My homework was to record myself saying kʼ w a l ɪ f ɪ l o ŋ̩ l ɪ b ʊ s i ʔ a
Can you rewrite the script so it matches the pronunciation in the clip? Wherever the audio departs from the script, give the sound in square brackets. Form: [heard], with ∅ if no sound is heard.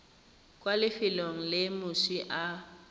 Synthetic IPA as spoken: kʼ w a l ɪ f ɪ l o ŋ̩ l ɪ [m] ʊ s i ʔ a